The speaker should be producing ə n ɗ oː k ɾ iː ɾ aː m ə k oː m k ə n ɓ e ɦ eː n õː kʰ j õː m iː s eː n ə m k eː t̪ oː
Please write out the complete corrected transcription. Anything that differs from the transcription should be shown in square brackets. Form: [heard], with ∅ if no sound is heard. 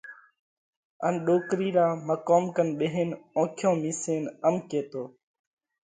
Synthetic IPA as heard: ə n ɗ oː k ɾ iː ɾ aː m ə k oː m k ə n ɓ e ɦ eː n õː kʰ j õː m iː s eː n ə m k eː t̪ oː